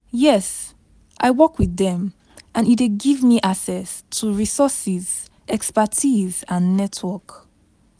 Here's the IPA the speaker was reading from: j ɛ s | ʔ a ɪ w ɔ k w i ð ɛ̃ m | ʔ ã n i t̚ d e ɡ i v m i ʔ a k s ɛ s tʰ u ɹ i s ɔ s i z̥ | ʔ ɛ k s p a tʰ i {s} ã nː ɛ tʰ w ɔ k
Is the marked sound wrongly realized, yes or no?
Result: yes